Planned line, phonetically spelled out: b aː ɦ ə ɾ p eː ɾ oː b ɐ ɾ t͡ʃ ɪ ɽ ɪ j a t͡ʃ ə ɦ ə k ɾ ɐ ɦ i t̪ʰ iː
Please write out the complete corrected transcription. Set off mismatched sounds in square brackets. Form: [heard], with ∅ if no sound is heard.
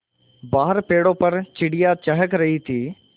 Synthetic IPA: b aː ɦ ə ɾ p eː [ɽ] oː [p] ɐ ɾ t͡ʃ ɪ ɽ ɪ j a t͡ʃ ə ɦ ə k ɾ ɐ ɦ i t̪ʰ iː